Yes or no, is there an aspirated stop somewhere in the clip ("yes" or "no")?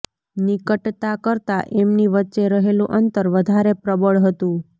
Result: no